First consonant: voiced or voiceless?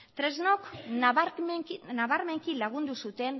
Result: voiceless